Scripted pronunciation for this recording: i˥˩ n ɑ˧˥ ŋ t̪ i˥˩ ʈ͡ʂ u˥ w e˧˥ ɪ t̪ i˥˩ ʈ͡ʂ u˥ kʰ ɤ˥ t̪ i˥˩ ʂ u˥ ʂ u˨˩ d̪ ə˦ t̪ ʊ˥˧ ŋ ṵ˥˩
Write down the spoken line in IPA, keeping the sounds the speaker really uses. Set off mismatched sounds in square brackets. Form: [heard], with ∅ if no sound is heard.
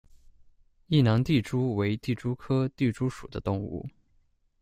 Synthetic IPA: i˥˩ n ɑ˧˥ ŋ t̪ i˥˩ ʈ͡ʂ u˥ w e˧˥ ɪ t̪ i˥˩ ʈ͡ʂ u˥ kʰ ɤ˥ t̪ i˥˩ [ʈ͡ʂ] u˥ ʂ u˨˩ d̪ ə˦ t̪ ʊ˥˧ ŋ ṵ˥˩